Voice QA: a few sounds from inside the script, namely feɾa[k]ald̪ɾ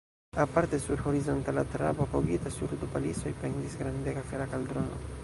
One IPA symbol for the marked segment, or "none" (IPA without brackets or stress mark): k